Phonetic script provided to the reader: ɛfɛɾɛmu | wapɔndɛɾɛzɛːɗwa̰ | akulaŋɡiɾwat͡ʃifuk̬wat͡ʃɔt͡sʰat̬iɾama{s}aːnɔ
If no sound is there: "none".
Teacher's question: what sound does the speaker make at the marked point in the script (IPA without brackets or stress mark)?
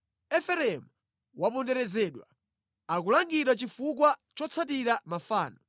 f